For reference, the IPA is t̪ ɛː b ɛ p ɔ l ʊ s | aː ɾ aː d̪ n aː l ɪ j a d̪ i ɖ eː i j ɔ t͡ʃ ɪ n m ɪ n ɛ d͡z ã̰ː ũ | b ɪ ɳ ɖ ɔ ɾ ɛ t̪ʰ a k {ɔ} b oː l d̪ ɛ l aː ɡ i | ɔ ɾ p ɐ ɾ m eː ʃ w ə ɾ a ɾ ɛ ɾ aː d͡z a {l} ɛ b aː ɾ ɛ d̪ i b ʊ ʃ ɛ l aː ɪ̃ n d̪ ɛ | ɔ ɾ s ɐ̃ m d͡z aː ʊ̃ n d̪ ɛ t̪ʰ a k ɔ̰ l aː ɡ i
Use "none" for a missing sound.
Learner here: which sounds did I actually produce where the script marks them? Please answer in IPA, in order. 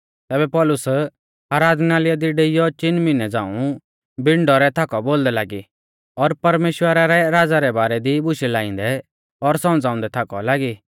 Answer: ɔ, ɾ

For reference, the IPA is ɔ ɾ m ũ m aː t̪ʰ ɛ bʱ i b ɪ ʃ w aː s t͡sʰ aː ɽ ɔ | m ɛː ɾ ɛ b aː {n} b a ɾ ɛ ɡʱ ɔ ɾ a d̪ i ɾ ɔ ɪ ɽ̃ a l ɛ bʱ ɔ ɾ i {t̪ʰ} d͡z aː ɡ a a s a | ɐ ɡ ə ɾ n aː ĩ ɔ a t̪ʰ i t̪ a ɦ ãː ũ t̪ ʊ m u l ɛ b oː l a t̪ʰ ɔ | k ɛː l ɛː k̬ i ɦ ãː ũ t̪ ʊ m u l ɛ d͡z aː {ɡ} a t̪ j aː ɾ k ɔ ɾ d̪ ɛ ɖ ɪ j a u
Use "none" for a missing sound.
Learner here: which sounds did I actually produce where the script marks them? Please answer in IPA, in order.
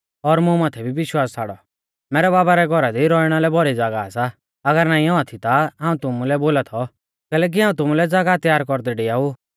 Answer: none, none, ɡ

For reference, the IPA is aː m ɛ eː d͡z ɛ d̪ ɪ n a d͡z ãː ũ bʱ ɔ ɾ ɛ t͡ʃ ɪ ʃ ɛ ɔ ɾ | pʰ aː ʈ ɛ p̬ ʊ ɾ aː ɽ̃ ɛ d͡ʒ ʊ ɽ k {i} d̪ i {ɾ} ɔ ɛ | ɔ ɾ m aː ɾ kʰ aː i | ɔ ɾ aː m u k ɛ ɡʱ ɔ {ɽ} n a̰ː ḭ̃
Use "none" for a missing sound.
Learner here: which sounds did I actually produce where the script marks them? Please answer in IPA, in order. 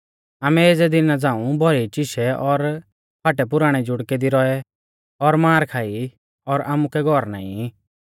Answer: ɛ, ɾ, ɾ

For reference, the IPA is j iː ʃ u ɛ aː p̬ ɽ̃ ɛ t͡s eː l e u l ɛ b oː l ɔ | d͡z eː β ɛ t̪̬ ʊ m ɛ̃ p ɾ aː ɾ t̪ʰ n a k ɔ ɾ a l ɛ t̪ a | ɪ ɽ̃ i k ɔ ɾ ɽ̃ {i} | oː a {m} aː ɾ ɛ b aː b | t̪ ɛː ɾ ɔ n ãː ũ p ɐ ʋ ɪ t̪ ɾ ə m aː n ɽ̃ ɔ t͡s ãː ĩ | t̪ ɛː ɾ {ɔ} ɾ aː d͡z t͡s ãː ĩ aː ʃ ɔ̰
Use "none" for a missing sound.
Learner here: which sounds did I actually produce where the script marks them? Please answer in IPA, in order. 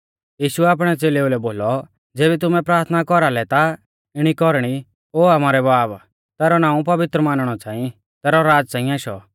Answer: i, m, ɔ

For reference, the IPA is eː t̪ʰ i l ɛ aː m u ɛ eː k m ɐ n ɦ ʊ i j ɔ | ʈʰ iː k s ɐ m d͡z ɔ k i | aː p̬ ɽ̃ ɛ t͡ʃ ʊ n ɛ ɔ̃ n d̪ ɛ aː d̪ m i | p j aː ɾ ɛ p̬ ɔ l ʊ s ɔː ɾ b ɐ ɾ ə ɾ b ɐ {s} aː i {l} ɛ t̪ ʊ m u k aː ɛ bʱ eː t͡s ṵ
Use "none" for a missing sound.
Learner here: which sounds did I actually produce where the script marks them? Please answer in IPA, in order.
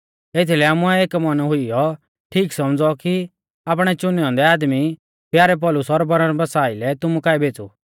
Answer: s, l

